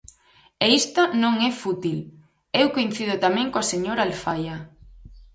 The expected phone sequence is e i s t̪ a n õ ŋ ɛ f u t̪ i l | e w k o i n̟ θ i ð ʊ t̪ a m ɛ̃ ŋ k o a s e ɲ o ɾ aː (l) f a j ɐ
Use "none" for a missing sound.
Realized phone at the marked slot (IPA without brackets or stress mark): l